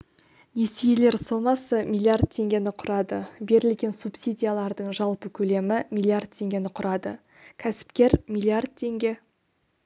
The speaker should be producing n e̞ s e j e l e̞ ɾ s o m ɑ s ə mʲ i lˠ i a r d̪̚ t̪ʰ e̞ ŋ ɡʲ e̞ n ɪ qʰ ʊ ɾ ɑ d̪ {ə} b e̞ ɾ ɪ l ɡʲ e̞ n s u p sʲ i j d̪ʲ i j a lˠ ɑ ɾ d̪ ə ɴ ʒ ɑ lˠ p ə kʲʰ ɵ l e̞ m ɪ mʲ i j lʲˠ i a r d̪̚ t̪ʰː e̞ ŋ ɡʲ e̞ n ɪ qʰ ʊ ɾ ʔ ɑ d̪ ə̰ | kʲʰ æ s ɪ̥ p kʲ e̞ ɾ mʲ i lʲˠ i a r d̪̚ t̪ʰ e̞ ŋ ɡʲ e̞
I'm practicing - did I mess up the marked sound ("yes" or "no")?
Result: no